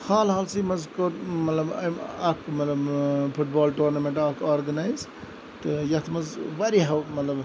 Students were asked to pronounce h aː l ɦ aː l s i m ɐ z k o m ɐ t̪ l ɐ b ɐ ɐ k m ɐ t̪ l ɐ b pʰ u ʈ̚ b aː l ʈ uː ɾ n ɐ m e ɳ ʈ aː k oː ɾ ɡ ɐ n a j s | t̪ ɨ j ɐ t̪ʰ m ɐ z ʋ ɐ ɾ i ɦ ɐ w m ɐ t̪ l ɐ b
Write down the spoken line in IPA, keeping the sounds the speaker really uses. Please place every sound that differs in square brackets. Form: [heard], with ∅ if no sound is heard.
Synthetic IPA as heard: h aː l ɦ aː l s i m ɐ z k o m ɐ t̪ l ɐ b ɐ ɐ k m ɐ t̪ l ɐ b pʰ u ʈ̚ b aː l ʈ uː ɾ n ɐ m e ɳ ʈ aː k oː ɾ ɡ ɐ n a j [z] | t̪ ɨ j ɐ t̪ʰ m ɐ z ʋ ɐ ɾ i ɦ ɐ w m ɐ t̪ l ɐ b